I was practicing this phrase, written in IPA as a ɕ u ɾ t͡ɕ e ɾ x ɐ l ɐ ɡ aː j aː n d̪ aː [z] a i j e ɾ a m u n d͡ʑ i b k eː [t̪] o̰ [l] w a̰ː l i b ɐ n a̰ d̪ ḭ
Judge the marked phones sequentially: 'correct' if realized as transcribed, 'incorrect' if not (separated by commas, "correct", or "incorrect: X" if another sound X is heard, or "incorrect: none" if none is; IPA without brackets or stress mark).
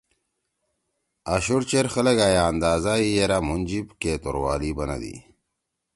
correct, correct, incorrect: ɾ